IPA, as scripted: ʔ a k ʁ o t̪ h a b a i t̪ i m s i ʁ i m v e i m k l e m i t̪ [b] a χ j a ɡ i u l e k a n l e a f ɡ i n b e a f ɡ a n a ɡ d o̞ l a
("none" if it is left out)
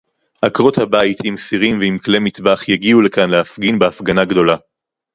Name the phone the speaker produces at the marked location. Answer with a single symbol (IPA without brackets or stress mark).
b